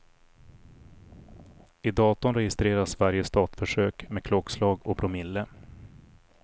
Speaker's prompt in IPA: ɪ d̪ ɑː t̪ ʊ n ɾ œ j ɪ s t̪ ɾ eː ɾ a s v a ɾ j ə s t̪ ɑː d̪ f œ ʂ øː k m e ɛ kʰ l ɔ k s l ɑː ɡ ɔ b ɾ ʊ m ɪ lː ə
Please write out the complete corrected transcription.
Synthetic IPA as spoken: ɪ d̪ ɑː t̪ ʊ n ɾ ɛ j ɪ s t̪ ɾ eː ɾ a s v a ɾ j ə s t̪ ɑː t̪ f œ ʂ øː k m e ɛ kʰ l ɔ k s l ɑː ɡ ɔ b ɾ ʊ m ɪ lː ə